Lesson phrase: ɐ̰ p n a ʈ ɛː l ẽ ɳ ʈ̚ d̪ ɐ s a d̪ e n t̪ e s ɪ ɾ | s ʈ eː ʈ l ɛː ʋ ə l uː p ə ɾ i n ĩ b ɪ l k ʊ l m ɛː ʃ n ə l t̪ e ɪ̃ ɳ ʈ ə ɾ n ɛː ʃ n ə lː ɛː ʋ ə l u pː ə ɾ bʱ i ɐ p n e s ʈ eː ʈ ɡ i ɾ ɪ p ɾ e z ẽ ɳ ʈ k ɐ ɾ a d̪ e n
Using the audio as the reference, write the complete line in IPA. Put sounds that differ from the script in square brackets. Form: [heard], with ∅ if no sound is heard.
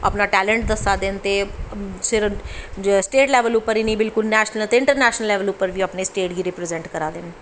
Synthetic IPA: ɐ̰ p n a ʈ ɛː l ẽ ɳ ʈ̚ d̪ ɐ s a d̪ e n t̪ e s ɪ ɾ | s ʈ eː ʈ l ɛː ʋ ə l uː p ə ɾ i n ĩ b ɪ l k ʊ l [n] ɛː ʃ n ə l t̪ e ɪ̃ ɳ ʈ ə ɾ n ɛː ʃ n ə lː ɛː ʋ ə l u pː ə ɾ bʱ i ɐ p n e s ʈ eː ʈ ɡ i ɾ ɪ p ɾ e z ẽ ɳ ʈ k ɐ ɾ a d̪ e n